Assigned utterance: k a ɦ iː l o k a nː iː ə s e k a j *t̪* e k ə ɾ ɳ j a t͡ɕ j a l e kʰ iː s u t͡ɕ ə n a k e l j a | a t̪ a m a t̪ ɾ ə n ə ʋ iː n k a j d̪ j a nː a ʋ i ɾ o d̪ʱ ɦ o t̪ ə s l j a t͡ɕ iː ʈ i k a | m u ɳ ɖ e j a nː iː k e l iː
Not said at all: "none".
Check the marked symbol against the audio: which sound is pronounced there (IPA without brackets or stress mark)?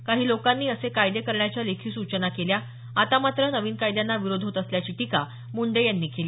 d̪